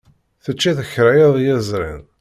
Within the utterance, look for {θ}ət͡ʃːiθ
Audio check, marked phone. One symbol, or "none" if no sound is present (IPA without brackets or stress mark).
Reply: θ